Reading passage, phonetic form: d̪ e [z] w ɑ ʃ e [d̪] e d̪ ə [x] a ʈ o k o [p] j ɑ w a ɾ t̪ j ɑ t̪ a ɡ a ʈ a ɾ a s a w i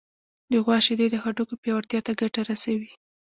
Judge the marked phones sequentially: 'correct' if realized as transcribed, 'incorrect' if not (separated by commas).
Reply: incorrect, correct, correct, correct